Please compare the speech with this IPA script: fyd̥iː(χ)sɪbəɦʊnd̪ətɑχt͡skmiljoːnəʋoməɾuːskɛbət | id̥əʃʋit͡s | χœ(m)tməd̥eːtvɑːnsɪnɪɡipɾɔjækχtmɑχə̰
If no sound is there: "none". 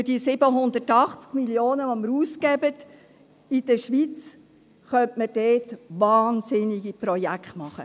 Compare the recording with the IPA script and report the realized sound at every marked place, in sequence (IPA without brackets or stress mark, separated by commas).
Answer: none, n